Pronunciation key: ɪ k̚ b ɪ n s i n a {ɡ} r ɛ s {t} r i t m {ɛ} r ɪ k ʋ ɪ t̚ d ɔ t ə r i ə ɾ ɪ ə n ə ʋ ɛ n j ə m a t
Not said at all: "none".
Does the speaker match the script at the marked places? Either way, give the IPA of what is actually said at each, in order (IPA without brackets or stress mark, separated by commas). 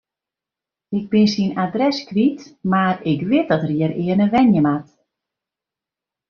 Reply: d, k, a